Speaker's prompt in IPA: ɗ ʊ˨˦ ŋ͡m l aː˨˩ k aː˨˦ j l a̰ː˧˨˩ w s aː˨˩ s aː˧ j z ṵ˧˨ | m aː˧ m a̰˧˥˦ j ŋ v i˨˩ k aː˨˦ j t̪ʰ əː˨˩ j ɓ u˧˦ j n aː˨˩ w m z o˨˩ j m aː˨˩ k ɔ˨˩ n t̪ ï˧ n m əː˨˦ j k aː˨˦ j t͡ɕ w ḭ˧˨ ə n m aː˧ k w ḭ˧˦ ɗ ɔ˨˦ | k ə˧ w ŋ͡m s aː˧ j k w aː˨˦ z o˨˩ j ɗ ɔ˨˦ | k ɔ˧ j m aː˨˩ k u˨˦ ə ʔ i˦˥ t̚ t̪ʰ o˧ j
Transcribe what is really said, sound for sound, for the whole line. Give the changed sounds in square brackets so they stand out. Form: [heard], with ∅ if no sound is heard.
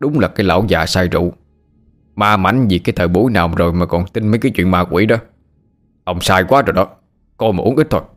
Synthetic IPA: ɗ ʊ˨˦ ŋ͡m l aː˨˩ k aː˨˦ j l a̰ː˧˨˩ w [z] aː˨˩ s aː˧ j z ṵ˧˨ | m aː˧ m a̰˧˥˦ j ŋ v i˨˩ k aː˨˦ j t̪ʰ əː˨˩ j ɓ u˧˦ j n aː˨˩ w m z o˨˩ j m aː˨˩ k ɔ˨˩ n t̪ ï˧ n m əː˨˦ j k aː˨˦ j t͡ɕ w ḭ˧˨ ə n m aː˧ k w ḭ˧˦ ɗ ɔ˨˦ | [ʔ] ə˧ w ŋ͡m s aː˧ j k w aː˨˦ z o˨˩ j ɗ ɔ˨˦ | k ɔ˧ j m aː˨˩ [ʔ] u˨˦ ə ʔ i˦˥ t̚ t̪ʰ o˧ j